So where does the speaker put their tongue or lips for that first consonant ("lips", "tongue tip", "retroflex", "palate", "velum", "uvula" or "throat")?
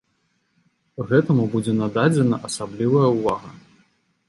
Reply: velum